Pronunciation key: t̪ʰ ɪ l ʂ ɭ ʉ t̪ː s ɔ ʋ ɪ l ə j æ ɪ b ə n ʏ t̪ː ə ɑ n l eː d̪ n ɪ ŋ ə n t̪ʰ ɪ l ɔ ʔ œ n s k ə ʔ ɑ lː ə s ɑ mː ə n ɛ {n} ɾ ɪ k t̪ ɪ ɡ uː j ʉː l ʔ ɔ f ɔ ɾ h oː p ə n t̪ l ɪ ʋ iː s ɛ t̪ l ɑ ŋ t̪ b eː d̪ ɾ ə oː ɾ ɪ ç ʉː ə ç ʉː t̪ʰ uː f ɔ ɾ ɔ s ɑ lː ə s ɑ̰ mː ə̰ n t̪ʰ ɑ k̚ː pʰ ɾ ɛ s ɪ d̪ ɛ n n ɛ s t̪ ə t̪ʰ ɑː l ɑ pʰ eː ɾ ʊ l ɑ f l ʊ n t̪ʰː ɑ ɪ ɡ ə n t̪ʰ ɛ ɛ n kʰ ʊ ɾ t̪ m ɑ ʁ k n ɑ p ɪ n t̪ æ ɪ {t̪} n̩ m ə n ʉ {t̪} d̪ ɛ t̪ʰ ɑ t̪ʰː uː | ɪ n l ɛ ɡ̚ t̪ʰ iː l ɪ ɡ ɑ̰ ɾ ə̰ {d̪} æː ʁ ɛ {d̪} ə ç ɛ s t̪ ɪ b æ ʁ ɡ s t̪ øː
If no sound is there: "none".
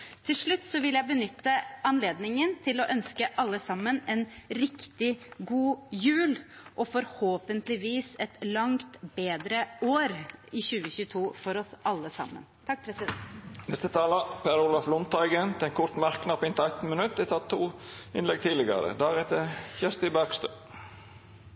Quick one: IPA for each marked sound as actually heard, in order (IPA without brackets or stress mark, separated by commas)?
n, t̪, t̪, d̪, t̪